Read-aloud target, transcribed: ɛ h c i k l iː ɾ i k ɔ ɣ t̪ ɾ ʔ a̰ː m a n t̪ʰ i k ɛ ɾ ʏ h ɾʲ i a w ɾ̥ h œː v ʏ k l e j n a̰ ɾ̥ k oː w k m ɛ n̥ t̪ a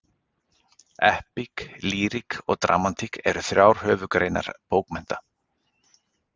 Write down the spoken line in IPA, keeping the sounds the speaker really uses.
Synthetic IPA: ɛ h p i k l iː ɾ i k ɔ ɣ t̪ ɾ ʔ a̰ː m a n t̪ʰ i k ɛ ɾ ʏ θ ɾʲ j a w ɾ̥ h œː v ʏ k ɾ e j n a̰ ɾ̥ p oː w k m ɛ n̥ t̪ a